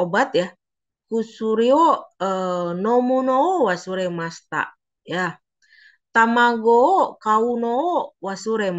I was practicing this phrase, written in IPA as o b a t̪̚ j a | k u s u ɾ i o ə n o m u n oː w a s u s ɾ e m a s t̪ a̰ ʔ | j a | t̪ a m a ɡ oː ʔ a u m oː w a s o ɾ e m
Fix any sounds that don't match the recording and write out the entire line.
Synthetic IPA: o b a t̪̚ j a | k u s u ɾ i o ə n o m u n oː w a s u ɾ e m a s t̪ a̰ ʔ | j a | t̪ a m a ɡ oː k a u n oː w a s u ɾ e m